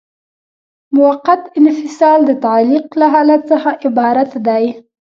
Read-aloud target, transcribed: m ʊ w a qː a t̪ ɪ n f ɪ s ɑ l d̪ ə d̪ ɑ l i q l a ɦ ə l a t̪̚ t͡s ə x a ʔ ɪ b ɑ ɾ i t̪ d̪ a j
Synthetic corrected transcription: m ʊ w a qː a t̪ ɪ n f ɪ s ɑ l d̪ ə t̪ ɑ l i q l a ɦ ɑ l a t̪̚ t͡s ə x a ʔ ɪ b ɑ ɾ a t̪ d̪ a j